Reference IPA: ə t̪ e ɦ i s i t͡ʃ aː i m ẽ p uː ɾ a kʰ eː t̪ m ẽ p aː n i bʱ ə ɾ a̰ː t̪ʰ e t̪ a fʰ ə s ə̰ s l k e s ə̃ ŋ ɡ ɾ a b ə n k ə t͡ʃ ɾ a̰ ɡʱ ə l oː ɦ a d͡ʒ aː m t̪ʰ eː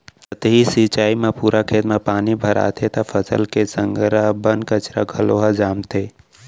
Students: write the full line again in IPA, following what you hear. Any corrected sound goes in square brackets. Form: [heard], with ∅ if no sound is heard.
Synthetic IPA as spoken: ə t̪ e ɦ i s i t͡ʃ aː i m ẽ p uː ɾ a kʰ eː t̪ m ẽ p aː n i bʱ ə ɾ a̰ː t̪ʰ e t̪ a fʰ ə s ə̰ [∅] l k e s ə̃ ŋ ɡ ɾ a b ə n k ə t͡ʃ ɾ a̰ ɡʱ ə l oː ɦ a d͡ʒ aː m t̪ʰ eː